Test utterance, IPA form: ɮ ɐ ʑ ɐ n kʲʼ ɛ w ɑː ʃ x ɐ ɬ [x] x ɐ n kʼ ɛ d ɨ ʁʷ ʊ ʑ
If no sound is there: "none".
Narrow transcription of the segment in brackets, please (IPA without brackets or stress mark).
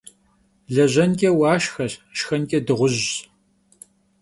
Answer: ʃ